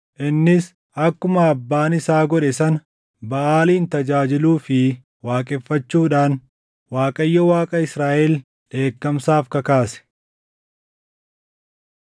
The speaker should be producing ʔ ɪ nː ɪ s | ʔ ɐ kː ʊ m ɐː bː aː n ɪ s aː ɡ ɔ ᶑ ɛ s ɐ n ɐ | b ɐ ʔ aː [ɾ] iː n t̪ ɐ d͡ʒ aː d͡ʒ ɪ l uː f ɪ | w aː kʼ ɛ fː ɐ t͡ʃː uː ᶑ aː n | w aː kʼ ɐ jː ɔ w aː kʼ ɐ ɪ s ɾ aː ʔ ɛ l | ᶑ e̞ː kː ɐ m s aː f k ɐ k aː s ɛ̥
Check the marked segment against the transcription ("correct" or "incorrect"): incorrect